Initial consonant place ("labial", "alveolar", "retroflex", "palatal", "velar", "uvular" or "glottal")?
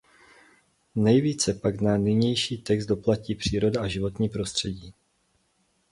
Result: alveolar